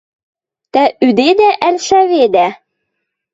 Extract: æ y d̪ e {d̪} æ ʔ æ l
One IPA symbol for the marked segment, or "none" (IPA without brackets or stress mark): d̪